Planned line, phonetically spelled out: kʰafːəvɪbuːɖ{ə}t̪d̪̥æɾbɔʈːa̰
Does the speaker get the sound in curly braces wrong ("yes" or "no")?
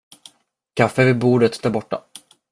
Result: no